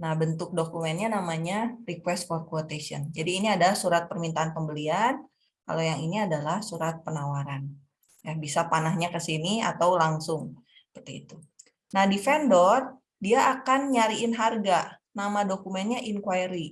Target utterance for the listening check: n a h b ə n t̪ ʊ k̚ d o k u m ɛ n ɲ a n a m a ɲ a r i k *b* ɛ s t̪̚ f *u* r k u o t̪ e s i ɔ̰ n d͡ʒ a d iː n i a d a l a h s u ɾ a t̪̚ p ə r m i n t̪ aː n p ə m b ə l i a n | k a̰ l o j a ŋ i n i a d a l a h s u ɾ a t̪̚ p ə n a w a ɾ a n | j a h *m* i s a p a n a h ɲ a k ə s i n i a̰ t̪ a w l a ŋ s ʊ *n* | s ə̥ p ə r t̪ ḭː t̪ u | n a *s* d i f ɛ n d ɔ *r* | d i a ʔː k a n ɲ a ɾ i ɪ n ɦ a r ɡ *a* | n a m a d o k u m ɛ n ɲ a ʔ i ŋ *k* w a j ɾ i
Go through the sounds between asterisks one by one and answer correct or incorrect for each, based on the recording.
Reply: incorrect: w, incorrect: ɔ, incorrect: b, incorrect: ŋ, incorrect: h, correct, correct, correct

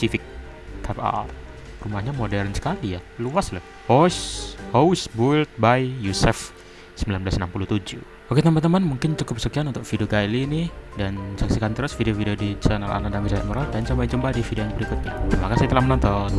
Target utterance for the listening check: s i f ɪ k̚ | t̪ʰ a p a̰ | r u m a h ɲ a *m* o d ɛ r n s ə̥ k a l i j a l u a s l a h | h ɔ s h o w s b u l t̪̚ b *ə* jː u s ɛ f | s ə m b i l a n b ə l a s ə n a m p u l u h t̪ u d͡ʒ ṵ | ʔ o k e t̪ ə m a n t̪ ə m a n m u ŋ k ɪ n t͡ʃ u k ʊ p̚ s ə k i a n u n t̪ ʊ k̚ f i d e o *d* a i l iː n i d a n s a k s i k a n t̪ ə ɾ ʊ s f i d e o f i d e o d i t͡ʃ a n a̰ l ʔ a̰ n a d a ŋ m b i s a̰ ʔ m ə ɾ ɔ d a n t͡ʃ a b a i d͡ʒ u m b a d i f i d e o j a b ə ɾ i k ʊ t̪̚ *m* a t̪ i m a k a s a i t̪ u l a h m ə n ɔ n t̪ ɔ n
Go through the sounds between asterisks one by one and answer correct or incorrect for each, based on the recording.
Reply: correct, incorrect: a, incorrect: ɡ, incorrect: ɲ

